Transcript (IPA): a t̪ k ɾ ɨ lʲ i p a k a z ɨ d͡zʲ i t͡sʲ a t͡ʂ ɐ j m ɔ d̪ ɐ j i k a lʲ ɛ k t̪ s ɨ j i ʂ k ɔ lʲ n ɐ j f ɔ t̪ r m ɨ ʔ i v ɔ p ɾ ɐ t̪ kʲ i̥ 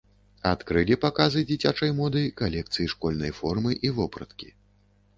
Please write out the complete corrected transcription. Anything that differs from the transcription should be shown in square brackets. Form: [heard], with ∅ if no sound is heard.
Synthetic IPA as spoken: a t̪ k ɾ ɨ lʲ i p a k a z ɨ d͡zʲ i t͡sʲ a t͡ʂ ɐ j m ɔ d̪ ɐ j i k a lʲ ɛ k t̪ s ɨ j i ʂ k ɔ lʲ n ɐ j f ɔ [∅] r m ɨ ʔ i v ɔ p ɾ ɐ t̪ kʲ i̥